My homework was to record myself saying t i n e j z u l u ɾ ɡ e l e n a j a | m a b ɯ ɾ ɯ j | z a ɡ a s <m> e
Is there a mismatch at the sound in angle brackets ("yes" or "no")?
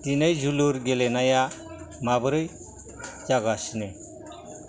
yes